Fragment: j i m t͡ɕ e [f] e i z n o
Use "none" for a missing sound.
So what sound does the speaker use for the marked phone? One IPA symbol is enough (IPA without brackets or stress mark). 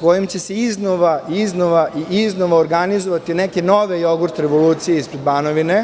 s